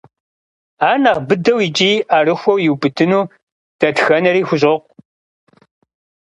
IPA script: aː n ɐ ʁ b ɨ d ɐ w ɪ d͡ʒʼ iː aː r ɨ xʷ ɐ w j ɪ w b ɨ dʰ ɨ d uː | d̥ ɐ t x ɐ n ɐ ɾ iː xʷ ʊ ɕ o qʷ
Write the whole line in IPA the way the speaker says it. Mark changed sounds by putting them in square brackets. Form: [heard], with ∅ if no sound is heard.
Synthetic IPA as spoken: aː n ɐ ʁ b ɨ d ɐ w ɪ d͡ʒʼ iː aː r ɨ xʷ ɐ w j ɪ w b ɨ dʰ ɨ [n] uː | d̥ ɐ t x ɐ n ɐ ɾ iː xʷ ʊ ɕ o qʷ